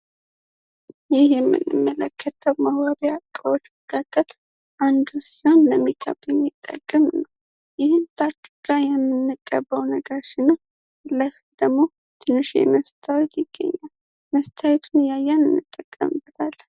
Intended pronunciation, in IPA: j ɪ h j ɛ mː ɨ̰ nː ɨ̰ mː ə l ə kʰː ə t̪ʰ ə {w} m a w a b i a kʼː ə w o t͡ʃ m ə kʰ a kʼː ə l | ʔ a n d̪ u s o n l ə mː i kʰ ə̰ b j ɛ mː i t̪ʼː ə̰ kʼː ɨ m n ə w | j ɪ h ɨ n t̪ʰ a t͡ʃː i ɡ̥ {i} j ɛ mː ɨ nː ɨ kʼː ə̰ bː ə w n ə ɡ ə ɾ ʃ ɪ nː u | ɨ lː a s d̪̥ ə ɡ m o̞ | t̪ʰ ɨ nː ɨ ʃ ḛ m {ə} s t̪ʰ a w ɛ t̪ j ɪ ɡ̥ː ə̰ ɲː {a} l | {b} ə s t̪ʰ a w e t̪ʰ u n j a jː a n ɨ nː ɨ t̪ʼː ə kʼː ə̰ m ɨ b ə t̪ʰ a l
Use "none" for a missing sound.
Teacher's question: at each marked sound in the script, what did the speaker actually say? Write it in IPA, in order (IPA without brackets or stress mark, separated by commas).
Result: w, a, ə, a, m